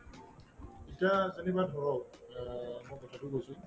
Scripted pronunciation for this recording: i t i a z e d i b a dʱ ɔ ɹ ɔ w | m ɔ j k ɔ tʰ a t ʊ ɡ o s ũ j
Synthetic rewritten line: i t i a z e n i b a dʱ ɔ ɹ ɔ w | m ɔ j k ɔ tʰ a t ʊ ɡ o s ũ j